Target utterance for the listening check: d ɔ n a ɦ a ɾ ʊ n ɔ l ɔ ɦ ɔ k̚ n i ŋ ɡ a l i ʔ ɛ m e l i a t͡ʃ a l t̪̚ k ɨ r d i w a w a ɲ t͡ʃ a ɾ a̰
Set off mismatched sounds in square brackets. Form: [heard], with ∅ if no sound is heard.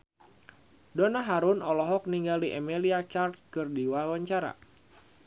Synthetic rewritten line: d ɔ n a ɦ a ɾ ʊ n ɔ l ɔ ɦ ɔ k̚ n i ŋ ɡ a l i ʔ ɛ m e l i a t͡ʃ a [r] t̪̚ k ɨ r d i w a w a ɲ t͡ʃ a ɾ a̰